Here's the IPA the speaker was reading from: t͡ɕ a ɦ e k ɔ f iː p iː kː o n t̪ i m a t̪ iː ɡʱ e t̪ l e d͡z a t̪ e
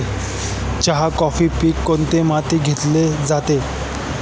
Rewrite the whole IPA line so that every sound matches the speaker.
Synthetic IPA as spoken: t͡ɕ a ɦ a k ɔ f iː p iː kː o n t̪ e m a t̪ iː ɡʱ e t̪ l e d͡z a t̪ e